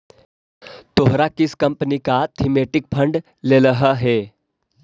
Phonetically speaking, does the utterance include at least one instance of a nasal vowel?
no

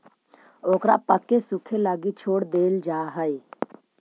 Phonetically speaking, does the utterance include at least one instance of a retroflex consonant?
yes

